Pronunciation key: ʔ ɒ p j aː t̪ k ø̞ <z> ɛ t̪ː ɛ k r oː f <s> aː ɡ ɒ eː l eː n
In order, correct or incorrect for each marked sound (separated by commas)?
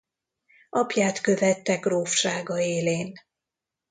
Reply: incorrect, incorrect